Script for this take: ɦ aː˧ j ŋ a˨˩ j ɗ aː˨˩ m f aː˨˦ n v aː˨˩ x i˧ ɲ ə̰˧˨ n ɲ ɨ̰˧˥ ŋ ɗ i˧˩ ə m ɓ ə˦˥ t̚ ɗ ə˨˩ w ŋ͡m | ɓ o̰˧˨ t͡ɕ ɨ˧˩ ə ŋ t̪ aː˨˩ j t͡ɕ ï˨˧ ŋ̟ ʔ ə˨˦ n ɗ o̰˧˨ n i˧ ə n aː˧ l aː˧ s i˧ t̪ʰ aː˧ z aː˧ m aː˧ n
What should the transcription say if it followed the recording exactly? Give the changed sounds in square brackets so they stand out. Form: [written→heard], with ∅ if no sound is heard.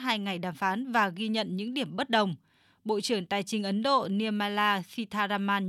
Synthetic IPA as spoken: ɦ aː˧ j ŋ a˨˩ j ɗ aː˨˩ m f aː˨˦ n v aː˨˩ [x→ɣ] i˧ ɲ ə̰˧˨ n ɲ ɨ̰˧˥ ŋ ɗ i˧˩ ə m ɓ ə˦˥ t̚ ɗ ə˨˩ w ŋ͡m | ɓ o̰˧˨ t͡ɕ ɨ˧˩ ə ŋ t̪ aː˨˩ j t͡ɕ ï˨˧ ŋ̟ ʔ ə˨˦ n ɗ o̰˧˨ n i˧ ə [n→m] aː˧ l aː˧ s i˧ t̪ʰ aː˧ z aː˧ m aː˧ n